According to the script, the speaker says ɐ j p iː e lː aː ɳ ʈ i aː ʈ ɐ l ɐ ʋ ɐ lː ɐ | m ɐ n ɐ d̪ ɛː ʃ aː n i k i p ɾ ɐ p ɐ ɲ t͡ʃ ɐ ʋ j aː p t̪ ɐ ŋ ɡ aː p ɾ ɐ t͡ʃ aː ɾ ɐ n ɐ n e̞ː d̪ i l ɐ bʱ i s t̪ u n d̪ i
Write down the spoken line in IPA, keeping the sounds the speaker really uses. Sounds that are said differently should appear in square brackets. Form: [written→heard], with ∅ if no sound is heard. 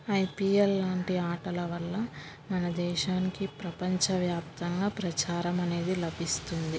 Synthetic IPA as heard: ɐ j p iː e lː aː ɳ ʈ i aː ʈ ɐ l ɐ ʋ ɐ lː ɐ | m ɐ n ɐ d̪ ɛː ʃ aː n i k i p ɾ ɐ p ɐ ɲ t͡ʃ ɐ ʋ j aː p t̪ ɐ ŋ ɡ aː p ɾ ɐ t͡ʃ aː ɾ ɐ [n→m] ɐ n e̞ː d̪ i l ɐ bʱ i s t̪ u n d̪ i